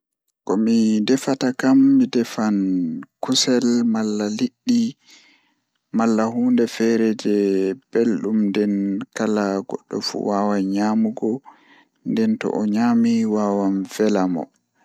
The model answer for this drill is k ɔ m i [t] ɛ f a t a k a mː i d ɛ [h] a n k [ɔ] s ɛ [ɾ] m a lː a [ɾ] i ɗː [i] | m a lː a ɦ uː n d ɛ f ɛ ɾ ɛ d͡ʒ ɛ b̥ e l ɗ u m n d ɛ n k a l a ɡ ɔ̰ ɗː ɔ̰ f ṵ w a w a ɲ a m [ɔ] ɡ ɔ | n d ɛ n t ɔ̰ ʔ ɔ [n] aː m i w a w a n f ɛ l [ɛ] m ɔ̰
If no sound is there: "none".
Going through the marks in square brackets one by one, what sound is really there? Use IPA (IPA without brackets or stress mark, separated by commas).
d, f, u, l, l, i, u, ɲ, a